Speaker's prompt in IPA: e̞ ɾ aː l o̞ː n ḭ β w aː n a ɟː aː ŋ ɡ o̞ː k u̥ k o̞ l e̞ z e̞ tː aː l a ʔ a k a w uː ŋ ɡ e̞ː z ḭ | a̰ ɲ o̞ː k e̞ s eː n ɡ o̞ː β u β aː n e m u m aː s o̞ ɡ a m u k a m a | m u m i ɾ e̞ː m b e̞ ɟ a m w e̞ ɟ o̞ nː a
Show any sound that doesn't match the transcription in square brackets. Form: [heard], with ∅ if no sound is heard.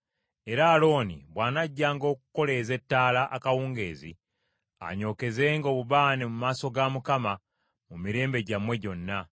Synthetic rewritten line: e̞ ɾ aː l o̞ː n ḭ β w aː n a ɟː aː ŋ ɡ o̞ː k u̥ k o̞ l e̞ z e̞ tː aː l a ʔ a k a w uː ŋ ɡ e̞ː z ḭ | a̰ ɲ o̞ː k e̞ [z] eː [ŋ] ɡ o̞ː β u β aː n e m u m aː s o̞ ɡ a m u k a m a | m u m i ɾ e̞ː m b e̞ ɟ a m w e̞ ɟ o̞ nː a